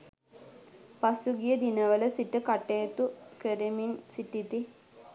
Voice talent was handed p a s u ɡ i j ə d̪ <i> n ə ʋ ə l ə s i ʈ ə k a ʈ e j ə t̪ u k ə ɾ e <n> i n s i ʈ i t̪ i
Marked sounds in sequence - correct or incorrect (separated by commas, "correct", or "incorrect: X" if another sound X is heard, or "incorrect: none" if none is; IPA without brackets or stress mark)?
correct, incorrect: m